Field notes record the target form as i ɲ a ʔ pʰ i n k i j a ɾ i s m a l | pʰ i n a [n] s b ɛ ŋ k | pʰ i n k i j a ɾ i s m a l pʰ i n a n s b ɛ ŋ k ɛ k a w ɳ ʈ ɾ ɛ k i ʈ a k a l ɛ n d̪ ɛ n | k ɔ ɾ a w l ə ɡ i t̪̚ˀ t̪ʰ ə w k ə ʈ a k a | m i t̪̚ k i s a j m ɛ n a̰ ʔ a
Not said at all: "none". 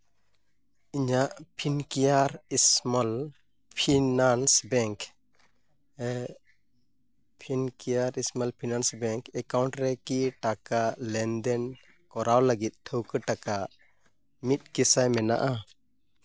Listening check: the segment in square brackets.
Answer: n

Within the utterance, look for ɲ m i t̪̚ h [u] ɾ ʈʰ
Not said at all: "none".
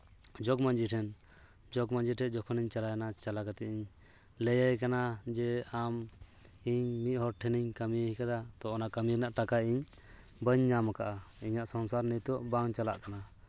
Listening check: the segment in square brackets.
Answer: ɔ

